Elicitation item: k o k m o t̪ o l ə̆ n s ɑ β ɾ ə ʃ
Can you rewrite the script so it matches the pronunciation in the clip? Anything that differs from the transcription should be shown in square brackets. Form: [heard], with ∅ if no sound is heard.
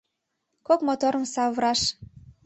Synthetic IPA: k o k m o t̪ o [ɾ] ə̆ [m] s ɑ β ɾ [ɑ] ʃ